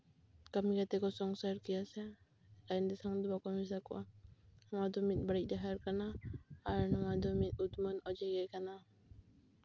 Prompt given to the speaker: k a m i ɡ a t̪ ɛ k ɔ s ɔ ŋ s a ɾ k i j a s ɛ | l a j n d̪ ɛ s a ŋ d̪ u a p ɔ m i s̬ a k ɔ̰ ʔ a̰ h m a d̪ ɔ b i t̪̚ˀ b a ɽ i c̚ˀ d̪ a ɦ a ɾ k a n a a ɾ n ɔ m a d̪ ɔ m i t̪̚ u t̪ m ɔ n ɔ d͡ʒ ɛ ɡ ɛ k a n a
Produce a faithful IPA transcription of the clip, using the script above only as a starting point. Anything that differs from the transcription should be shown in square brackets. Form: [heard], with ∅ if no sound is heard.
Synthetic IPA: k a m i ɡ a t̪ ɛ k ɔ s ɔ ŋ s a ɾ k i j a s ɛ | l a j n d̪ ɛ s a ŋ d̪ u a [k] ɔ m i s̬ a k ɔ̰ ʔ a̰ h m a d̪ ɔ [m] i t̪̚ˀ b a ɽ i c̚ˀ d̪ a ɦ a ɾ k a n a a ɾ n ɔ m a d̪ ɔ m i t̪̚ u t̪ m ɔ n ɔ d͡ʒ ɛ ɡ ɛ k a n a